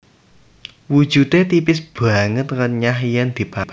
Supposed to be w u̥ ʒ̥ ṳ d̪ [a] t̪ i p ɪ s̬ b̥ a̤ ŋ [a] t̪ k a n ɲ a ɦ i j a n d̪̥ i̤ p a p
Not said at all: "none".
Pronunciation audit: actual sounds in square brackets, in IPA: e, ə

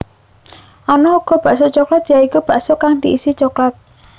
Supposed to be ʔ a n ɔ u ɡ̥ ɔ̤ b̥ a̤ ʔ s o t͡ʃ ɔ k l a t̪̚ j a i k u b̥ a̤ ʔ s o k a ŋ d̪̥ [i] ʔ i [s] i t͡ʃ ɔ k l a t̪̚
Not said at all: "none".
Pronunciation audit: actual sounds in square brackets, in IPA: i, s

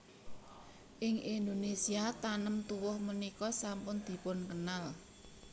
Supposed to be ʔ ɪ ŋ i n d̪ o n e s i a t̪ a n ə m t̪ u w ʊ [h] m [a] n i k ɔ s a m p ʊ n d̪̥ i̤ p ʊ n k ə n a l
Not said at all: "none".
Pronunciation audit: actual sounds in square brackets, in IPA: h, ə

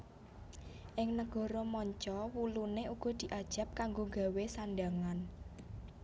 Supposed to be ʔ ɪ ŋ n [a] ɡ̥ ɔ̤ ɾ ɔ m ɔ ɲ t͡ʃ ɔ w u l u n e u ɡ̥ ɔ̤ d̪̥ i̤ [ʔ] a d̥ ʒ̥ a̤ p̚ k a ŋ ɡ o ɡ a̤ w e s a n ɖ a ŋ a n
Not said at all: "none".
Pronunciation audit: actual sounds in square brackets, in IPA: ə, ʔ

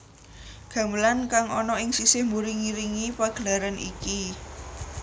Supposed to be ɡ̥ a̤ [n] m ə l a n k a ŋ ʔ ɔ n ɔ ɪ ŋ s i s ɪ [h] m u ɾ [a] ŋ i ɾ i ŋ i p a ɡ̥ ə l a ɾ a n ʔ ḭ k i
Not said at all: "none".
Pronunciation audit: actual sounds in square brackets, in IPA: none, h, i

